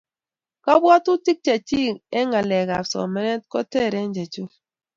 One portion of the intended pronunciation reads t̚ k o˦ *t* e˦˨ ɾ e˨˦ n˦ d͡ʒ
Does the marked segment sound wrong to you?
no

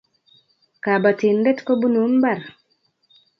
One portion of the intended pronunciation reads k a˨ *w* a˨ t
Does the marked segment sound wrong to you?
yes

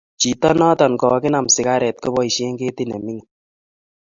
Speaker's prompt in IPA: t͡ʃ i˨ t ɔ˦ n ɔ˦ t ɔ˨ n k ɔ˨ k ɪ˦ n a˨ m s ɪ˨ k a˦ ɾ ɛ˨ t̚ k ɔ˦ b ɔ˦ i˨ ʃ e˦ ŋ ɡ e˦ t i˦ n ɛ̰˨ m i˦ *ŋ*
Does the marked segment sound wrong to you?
no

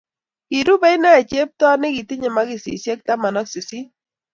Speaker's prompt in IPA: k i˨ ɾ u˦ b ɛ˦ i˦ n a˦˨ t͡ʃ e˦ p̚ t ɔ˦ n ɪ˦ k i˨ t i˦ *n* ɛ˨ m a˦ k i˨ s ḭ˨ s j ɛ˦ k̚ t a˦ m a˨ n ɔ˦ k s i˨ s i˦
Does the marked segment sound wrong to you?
yes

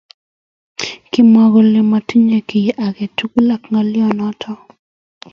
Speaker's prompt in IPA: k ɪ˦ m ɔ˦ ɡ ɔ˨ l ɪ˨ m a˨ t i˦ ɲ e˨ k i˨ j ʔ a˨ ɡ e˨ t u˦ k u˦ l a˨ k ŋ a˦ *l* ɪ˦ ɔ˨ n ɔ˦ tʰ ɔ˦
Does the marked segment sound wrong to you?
no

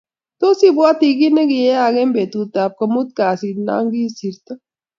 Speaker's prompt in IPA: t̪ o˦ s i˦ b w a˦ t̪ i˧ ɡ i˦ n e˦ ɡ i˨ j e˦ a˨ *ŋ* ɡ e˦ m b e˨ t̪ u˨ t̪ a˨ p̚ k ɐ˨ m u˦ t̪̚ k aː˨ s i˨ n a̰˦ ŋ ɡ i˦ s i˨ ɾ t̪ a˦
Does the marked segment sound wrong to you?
yes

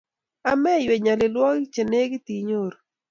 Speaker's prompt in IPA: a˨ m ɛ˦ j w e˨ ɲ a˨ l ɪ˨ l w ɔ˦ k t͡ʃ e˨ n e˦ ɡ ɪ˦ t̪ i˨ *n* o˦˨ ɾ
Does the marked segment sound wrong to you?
yes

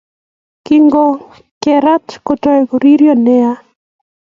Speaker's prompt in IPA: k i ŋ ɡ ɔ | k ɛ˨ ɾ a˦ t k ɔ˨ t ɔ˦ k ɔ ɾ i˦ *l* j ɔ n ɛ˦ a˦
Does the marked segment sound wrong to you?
yes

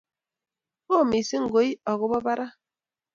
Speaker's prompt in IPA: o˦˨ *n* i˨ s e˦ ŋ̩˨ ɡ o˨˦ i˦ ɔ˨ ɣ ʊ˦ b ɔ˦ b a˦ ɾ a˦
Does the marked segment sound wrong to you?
yes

